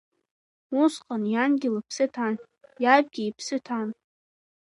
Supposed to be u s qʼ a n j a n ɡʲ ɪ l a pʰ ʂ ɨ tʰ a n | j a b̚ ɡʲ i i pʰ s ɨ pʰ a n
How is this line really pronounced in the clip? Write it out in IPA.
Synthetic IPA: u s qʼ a n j a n ɡʲ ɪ l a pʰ s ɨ tʰ a n | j a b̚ ɡʲ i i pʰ s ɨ tʰ a n